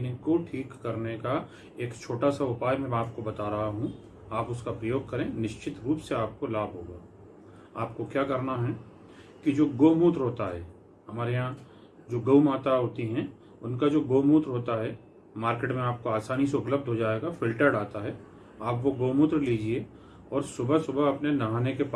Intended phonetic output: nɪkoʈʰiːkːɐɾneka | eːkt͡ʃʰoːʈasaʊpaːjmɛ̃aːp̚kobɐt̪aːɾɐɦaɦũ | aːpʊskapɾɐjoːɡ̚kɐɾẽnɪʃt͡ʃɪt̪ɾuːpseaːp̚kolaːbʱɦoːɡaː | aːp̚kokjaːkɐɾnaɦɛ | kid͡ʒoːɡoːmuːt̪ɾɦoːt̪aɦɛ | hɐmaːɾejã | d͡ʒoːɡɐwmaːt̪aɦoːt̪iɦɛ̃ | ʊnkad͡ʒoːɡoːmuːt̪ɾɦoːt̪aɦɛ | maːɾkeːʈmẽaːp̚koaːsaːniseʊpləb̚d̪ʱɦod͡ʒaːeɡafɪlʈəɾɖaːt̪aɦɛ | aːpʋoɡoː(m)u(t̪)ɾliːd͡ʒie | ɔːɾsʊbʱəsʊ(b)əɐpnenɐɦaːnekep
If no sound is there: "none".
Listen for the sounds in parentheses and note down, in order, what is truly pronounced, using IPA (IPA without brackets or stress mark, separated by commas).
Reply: m, t̪, b